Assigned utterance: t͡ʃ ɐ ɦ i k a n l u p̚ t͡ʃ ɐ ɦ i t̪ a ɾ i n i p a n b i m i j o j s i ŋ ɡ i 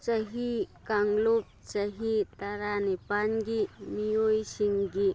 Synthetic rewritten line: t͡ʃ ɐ ɦ i k a ŋ l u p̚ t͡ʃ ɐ ɦ i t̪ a ɾ a n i p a n ɡ i m i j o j s i ŋ ɡ i